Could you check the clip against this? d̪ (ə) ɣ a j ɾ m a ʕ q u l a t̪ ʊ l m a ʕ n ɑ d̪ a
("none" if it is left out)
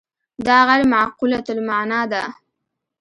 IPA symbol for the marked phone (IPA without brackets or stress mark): ɑ